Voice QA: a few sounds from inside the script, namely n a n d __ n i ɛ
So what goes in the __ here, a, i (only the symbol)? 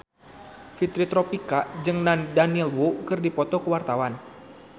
a